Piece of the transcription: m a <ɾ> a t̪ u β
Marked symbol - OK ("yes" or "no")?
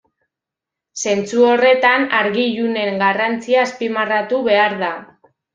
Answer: no